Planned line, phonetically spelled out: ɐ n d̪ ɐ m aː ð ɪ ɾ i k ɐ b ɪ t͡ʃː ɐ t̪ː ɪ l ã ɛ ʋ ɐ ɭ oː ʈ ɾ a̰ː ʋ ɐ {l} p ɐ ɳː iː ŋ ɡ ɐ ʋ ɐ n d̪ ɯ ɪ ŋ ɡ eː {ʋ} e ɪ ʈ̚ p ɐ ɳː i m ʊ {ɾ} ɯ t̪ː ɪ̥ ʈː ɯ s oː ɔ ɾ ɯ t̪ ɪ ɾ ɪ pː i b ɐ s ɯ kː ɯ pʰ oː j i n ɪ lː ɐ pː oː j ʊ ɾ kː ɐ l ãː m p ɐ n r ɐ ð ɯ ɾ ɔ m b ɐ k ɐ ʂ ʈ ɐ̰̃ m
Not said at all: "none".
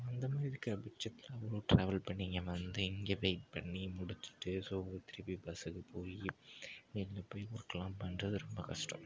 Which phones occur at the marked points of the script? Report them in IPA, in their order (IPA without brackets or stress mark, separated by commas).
l, ʋ, ɽ